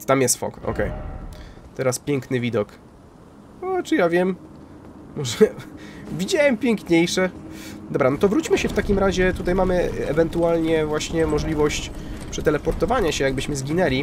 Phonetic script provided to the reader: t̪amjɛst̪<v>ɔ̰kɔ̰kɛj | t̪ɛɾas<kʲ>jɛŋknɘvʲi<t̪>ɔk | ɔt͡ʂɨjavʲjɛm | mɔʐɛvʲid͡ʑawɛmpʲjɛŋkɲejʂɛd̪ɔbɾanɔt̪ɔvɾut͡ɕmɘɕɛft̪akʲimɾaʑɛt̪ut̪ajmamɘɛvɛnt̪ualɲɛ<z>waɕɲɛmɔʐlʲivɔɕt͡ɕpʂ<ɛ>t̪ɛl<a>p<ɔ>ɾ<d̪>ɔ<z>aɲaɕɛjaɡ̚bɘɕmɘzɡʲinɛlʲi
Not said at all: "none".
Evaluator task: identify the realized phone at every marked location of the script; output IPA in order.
f, pʲ, d̪, v, ɛ, ɛ, ɔ, t̪, v

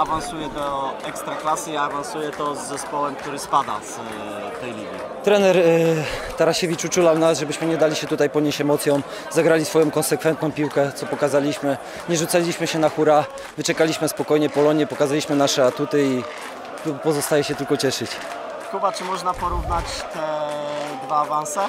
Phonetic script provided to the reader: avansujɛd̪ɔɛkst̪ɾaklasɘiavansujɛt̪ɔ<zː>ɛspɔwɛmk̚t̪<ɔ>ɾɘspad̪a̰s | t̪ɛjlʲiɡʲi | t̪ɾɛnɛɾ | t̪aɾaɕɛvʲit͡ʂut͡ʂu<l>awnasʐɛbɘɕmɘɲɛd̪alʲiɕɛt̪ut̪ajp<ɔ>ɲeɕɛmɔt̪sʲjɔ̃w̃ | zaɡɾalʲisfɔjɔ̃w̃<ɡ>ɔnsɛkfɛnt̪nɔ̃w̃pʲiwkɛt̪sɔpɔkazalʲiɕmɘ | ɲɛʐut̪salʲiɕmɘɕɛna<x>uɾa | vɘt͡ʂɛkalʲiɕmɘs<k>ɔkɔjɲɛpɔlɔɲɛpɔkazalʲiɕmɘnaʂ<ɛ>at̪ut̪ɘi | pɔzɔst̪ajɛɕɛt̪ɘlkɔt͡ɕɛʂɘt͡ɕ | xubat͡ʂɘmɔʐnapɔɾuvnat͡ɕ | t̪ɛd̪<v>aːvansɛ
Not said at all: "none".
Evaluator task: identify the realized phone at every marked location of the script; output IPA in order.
zː, u, l, ɔ, k, x, p, ɛ, v

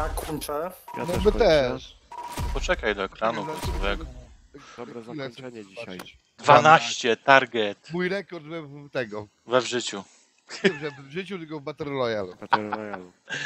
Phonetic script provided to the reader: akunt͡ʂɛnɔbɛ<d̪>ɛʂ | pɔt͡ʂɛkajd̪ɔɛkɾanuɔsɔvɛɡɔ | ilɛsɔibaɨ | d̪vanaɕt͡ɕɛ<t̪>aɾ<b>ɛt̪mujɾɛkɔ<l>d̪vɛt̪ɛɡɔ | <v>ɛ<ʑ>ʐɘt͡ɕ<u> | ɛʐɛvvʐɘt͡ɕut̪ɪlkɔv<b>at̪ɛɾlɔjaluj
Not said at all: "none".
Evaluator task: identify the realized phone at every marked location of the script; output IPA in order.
t̪, t̪, ɡ, ɾ, v, v, u, b

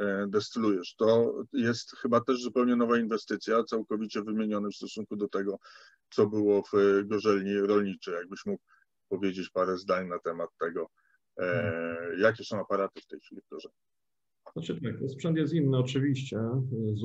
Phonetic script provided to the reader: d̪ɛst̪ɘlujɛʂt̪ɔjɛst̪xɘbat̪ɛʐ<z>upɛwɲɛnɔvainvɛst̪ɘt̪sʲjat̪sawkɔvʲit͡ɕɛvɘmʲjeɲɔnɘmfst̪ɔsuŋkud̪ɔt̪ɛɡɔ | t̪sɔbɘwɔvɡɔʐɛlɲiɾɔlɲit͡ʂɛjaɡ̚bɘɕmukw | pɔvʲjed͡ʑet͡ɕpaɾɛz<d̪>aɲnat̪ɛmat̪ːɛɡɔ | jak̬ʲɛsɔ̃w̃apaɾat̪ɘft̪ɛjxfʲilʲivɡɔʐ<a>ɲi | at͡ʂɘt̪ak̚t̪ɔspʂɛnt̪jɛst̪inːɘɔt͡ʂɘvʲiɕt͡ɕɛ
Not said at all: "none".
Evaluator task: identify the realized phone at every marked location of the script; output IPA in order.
z, d̪, ɛ

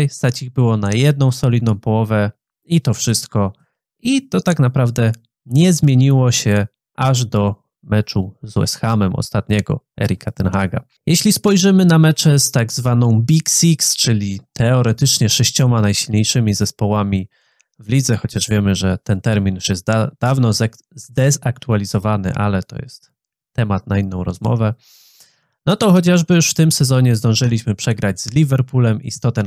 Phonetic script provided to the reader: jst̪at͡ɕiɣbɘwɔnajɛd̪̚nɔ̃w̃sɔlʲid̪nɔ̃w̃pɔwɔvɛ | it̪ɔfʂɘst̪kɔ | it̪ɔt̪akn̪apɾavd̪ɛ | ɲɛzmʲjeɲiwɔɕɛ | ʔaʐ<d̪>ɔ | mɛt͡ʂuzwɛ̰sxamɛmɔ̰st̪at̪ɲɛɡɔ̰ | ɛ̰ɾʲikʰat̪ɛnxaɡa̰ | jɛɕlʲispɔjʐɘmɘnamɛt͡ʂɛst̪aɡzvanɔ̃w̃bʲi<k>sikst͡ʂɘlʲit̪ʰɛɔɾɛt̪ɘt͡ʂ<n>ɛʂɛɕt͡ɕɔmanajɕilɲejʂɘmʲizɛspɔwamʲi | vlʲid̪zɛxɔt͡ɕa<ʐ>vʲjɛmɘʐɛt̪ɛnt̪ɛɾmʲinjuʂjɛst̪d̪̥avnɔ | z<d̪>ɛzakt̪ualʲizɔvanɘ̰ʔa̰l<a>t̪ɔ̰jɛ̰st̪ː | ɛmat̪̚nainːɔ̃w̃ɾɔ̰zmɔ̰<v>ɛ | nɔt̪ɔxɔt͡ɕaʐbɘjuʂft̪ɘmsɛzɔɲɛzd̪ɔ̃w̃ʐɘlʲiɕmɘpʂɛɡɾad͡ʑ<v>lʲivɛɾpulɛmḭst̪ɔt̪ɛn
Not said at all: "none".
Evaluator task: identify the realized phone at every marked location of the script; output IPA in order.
d̪, k, ɲ, ʐ, d̪, ɛ, v, z

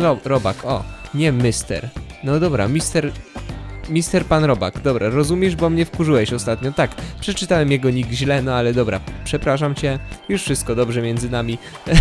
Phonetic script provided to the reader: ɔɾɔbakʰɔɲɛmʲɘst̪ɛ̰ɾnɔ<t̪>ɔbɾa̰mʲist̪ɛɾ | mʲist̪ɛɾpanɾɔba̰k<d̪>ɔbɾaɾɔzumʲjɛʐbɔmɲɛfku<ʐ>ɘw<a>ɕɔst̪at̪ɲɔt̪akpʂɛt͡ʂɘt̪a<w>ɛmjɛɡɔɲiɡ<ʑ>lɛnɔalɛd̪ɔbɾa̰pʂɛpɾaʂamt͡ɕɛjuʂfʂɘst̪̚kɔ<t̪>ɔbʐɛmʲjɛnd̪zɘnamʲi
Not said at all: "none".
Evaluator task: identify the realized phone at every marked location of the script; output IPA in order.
d̪, d̪, ʐ, ɛ, w, ʑ, d̪

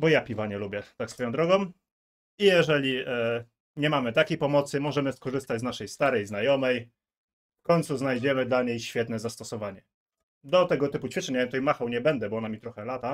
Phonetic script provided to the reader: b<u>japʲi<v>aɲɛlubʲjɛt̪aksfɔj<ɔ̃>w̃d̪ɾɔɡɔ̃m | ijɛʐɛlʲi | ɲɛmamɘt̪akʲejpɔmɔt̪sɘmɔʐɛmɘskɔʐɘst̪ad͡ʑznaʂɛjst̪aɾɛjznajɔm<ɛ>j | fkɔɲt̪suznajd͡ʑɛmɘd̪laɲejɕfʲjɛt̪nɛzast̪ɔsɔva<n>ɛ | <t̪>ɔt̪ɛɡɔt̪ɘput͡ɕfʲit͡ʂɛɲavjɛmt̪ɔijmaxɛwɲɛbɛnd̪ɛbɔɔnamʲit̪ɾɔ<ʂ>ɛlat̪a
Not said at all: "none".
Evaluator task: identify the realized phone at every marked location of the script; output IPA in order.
ɔ, v, ɔ, ɛ, ɲ, d̪, x

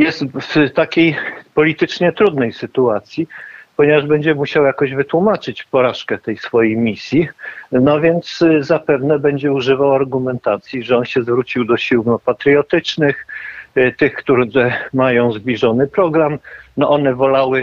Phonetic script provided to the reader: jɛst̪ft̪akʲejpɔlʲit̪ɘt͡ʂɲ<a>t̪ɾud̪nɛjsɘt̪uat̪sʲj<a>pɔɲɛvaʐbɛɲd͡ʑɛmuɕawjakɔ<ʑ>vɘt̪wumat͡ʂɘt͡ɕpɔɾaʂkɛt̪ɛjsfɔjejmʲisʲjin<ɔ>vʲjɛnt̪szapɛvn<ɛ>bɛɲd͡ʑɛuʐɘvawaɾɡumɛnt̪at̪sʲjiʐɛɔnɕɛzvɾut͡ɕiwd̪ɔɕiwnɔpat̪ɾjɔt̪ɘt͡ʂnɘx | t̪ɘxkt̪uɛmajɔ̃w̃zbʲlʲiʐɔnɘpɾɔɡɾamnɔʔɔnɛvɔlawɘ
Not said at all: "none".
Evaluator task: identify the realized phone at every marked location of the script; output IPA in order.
ɛ, i, ʑ, ɔ, ɛ

